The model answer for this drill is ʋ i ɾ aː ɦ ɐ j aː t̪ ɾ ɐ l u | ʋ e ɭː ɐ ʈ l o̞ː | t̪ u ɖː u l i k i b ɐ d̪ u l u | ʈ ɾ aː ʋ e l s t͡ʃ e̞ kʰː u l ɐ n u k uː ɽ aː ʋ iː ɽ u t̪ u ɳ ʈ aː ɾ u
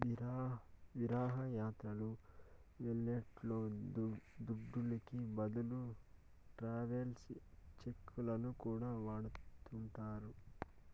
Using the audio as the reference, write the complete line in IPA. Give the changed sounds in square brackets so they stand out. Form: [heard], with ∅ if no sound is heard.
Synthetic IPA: ʋ i ɾ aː ɦ ɐ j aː t̪ ɾ ɐ l u | ʋ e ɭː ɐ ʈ l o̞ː | [d̪] u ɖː u l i k i b ɐ d̪ u l u | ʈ ɾ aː ʋ e l s t͡ʃ e̞ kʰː u l ɐ n u k uː ɽ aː ʋ [aː] ɽ u t̪ u ɳ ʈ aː ɾ u